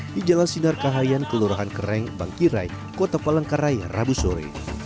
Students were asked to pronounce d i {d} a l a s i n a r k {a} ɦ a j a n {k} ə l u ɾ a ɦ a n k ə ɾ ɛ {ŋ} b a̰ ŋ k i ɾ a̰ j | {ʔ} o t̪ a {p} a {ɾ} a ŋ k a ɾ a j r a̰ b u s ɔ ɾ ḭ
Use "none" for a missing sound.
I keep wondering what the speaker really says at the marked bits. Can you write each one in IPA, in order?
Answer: d͡ʒ, a, k, ŋ, k, p, l

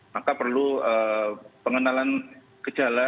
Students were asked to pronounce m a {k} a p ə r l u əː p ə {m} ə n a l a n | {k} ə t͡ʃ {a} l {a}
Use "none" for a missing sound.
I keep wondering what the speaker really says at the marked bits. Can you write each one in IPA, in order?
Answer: k, ŋ, k, a, a

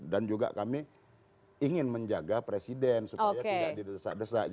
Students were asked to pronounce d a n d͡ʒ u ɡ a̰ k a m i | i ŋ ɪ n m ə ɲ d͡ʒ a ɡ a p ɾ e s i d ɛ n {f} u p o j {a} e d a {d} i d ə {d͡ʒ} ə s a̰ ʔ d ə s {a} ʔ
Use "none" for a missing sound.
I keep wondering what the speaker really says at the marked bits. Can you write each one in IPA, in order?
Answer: s, a, d, none, a

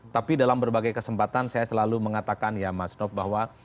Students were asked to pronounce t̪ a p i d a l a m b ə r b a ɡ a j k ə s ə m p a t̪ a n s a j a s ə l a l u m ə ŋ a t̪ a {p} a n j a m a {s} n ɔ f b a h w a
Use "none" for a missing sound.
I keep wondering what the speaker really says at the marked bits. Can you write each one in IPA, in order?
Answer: k, s

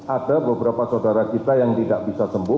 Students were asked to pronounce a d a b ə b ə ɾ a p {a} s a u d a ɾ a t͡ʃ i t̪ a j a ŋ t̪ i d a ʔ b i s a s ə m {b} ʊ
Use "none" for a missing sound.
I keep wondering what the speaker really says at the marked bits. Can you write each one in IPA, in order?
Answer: a, b

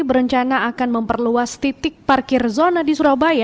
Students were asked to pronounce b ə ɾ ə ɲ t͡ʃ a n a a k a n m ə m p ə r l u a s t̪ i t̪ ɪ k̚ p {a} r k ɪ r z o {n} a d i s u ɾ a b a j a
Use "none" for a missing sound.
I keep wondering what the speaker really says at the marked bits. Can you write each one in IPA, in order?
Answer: a, n

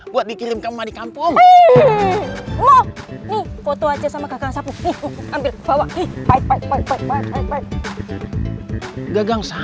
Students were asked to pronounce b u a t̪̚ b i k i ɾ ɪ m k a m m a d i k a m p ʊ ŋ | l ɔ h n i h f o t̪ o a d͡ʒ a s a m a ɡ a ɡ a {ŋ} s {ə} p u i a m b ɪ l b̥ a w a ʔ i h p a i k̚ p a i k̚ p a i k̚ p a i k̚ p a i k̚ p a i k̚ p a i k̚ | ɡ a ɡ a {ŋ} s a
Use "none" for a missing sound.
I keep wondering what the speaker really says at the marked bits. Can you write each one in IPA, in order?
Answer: ŋ, a, ŋ

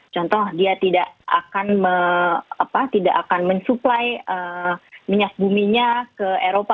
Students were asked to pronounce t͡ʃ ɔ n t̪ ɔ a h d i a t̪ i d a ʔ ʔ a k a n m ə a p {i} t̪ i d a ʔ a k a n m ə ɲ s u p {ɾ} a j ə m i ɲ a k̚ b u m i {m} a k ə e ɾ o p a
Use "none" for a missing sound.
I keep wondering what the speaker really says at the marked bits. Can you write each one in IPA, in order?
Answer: a, l, ɲ

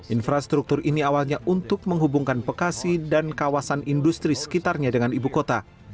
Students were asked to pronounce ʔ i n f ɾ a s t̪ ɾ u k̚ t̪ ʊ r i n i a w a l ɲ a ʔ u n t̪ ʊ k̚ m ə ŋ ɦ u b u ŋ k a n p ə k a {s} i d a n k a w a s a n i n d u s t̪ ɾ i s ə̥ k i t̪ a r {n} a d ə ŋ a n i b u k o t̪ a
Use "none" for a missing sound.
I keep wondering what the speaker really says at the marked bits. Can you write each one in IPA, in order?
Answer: s, ɲ

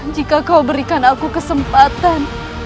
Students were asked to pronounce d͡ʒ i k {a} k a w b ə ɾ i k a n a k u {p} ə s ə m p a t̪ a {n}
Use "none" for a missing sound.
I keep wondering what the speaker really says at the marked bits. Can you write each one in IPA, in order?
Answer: a, k, n

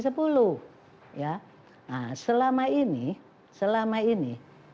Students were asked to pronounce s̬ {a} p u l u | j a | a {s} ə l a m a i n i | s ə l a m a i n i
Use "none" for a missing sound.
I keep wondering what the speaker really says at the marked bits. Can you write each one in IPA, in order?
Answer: ə, s

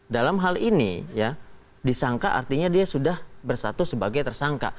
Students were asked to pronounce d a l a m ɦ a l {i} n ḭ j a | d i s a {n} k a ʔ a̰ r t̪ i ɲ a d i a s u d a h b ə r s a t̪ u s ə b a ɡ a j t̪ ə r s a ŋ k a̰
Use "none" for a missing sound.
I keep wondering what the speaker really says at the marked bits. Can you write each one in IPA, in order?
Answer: i, ŋ

